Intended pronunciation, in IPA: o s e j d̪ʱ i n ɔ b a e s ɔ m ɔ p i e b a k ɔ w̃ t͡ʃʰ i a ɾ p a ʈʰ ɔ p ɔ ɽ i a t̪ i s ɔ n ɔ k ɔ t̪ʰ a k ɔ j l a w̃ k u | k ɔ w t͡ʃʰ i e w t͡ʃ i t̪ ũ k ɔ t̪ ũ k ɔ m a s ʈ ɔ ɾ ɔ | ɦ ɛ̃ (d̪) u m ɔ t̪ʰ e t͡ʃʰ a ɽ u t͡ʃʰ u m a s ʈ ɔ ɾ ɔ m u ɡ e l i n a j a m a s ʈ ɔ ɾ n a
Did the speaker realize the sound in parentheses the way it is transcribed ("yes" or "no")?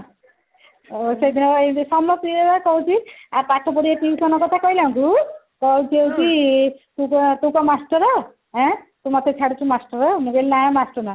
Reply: no